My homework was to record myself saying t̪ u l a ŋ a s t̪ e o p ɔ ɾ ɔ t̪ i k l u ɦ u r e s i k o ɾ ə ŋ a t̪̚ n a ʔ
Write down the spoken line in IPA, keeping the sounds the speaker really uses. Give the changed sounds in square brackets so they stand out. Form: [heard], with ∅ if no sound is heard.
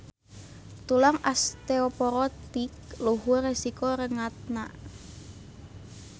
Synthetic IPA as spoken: t̪ u l a ŋ a s t̪ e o p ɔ ɾ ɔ t̪ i k l u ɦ u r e s i k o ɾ ə ŋ a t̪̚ n a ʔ